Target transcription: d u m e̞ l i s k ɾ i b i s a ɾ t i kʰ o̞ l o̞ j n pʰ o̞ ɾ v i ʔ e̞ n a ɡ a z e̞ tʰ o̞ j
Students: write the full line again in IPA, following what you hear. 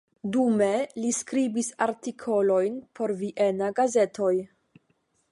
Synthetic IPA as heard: d u m e̞ l i s k ɾ i b i s a ɾ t i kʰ o̞ l o̞ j n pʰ o̞ ɾ v i ʔ e̞ n a ɡ a z e̞ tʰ o̞ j

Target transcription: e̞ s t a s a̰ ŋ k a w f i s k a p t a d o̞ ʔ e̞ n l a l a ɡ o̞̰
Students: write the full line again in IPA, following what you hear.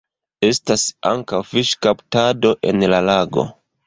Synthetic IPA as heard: e̞ s t a s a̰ ŋ k a w f i ʃ k a p t a d o̞ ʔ e̞ n l a l a ɡ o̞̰

